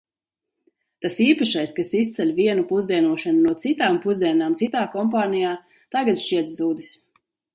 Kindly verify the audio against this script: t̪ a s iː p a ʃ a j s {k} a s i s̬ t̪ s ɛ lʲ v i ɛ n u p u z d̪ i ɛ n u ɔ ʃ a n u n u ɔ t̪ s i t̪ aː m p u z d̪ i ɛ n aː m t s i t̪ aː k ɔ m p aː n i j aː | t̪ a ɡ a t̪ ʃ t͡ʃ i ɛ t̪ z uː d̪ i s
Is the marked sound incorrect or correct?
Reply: correct